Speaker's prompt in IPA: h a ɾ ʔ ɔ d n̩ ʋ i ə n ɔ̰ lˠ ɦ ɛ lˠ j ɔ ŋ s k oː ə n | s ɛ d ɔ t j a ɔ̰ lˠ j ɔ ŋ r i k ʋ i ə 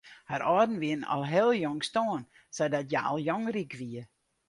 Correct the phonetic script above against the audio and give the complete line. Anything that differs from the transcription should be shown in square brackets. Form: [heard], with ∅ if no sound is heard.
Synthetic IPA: h a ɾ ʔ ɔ d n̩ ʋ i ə n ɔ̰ lˠ ɦ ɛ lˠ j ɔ ŋ s [t] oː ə n | s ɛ d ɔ t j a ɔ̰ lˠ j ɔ ŋ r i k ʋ i ə